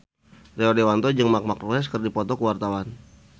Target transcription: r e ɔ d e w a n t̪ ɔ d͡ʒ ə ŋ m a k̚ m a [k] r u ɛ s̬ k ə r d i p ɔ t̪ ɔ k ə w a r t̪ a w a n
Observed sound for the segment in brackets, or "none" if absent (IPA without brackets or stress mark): k